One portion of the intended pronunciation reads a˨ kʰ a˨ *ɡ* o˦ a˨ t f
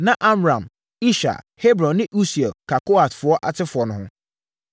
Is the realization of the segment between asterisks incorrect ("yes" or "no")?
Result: yes